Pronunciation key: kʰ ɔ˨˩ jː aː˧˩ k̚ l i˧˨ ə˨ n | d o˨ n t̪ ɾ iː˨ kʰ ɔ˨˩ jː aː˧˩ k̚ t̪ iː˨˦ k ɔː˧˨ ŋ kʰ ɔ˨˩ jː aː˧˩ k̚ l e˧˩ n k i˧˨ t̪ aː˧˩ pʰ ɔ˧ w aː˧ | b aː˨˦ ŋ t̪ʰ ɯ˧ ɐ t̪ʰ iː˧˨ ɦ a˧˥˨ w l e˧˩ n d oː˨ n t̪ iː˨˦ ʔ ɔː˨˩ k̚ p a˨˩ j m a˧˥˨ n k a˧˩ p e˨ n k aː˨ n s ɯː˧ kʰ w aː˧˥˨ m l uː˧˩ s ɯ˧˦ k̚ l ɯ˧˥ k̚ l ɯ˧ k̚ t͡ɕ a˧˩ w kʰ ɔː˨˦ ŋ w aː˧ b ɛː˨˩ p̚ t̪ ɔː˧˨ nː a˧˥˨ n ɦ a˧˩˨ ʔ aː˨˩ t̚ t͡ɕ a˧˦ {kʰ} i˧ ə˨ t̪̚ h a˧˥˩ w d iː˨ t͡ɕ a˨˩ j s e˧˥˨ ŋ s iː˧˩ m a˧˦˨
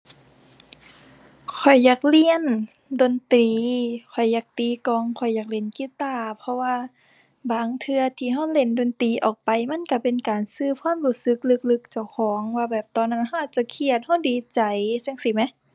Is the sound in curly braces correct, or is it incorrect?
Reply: correct